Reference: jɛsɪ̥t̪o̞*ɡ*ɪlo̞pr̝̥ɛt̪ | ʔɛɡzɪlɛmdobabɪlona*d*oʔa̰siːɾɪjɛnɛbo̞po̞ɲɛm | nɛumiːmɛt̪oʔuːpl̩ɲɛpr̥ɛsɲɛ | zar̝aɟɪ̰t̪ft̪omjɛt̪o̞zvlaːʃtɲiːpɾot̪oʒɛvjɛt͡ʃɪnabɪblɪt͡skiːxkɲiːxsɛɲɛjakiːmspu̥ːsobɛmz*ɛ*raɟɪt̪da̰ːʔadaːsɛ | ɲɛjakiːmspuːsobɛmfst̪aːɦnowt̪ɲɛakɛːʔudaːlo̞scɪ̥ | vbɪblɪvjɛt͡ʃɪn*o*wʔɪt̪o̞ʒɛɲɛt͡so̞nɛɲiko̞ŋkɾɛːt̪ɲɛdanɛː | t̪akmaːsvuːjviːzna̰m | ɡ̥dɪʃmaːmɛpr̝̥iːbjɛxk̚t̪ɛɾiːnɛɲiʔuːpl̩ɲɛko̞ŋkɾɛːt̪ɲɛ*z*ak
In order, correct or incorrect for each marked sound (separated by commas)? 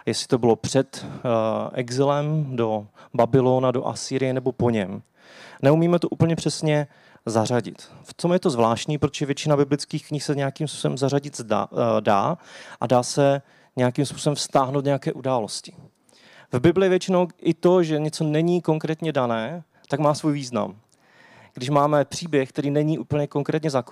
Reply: incorrect, correct, incorrect, correct, correct